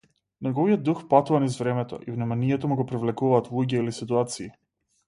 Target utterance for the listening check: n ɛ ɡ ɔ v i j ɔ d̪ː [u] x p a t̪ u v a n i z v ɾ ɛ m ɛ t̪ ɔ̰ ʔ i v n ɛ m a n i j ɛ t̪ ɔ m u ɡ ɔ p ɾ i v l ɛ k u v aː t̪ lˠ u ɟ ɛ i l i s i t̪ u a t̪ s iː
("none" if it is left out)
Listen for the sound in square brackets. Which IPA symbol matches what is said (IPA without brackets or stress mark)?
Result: u